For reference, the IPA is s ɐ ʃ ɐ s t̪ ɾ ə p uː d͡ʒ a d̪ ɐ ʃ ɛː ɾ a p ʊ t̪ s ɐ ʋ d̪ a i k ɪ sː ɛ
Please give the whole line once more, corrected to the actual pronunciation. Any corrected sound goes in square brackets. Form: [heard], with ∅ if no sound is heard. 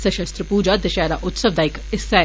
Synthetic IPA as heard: s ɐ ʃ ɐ s t̪ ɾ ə p uː d͡ʒ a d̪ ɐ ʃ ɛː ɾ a [ʔ] ʊ t̪ s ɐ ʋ d̪ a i k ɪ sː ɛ